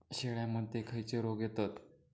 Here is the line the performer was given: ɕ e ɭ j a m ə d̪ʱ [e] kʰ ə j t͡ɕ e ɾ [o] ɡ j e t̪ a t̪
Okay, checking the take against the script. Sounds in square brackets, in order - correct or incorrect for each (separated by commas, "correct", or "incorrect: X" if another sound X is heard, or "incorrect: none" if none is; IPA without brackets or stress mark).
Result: correct, correct